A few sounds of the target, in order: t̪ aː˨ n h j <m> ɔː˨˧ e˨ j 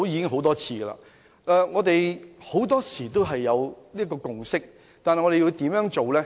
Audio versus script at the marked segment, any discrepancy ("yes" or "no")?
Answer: yes